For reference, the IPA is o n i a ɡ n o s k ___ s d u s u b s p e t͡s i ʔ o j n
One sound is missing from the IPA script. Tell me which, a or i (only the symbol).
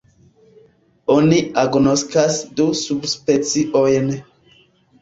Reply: a